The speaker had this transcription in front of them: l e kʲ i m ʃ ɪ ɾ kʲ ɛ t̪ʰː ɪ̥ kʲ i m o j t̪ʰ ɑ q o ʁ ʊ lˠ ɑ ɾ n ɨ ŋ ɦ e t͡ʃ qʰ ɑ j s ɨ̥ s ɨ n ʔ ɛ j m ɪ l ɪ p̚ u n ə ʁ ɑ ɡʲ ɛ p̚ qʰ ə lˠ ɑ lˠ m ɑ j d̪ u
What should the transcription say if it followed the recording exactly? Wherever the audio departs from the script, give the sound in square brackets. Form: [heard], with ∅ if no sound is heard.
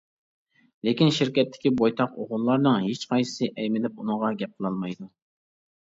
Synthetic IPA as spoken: l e kʲ i [n] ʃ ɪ ɾ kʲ ɛ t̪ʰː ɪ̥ kʲ i [b] o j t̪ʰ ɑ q o ʁ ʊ [lˠː] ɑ ɾ n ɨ ŋ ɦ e t͡ʃ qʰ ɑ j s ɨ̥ s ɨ [∅] ʔ ɛ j m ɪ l ɪ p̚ u n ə ʁ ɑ ɡʲ ɛ p̚ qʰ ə lˠ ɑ lˠ m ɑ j d̪ u